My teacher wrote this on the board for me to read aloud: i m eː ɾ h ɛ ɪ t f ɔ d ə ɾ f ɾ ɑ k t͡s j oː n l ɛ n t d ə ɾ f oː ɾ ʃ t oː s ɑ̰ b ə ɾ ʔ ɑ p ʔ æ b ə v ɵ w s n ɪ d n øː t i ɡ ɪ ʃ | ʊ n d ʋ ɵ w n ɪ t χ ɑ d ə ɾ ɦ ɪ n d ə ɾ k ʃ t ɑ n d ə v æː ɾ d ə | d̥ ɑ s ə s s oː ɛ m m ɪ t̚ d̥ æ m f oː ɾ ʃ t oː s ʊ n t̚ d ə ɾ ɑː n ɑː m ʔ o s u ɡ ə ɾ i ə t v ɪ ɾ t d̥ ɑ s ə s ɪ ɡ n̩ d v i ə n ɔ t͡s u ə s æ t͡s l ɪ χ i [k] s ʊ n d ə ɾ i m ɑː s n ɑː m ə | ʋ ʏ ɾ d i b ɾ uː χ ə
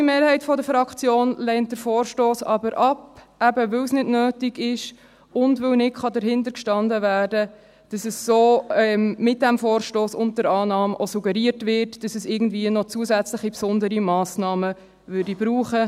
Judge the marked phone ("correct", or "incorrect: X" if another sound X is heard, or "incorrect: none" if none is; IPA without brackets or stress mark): incorrect: p